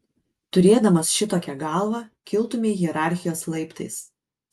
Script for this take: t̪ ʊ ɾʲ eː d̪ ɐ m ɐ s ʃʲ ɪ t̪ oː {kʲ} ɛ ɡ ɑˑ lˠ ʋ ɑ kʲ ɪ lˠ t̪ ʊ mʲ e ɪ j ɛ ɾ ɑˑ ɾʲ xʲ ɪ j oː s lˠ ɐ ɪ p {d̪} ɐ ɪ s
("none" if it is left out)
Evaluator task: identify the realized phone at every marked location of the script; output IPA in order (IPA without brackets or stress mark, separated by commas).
kʲ, t̪